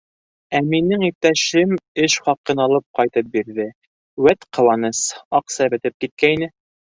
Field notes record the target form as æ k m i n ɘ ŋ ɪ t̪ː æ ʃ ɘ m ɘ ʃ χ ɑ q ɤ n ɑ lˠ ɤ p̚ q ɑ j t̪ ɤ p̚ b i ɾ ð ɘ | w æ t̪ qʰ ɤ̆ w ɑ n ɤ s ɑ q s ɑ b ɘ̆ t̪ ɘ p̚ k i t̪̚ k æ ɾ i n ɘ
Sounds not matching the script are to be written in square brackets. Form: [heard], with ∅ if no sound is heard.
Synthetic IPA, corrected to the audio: æ [∅] m i n ɘ ŋ [i] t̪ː æ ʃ ɘ m ɘ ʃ χ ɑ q ɤ n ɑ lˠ ɤ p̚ q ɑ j t̪ ɤ p̚ b i ɾ ð ɘ | w æ t̪ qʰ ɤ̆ w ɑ n ɤ s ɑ q s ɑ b ɘ̆ t̪ ɘ p̚ k i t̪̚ k æ [∅] i n ɘ